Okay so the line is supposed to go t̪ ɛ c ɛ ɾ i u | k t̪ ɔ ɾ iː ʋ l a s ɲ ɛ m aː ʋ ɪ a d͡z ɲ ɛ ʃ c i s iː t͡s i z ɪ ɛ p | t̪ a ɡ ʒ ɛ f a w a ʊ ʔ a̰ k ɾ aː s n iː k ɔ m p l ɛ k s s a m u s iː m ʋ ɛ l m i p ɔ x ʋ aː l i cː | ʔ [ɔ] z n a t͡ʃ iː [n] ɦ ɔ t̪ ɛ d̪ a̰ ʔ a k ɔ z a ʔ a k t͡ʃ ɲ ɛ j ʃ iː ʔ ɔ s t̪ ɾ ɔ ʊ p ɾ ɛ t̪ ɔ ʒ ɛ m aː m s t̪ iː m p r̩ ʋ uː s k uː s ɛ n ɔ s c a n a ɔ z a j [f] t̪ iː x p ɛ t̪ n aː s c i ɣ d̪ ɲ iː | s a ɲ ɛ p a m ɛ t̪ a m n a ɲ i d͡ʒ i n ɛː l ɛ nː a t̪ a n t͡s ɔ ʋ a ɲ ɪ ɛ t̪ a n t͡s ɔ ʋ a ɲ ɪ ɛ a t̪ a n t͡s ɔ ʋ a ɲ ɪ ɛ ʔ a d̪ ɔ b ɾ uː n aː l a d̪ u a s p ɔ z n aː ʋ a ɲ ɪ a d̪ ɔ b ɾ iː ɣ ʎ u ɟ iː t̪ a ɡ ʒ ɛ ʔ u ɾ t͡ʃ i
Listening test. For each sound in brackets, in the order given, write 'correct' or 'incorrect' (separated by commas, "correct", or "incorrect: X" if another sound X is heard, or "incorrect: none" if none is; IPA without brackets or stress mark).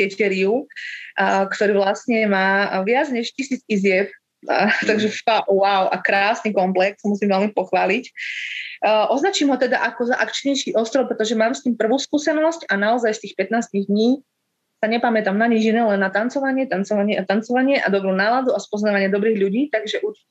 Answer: correct, incorrect: m, incorrect: s